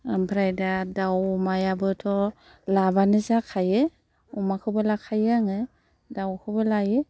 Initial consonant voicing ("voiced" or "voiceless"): voiced